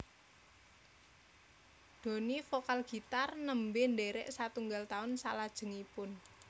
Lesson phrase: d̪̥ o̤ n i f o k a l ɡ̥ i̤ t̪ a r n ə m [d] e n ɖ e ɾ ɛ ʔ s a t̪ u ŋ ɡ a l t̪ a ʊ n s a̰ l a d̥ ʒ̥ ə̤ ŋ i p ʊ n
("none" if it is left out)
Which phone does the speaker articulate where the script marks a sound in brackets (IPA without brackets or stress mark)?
b